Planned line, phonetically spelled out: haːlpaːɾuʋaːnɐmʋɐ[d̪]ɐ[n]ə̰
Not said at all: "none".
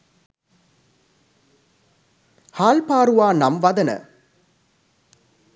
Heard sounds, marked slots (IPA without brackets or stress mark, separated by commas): d̪, n